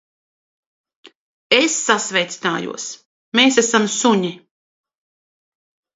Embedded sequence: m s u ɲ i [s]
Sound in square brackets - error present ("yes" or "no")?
yes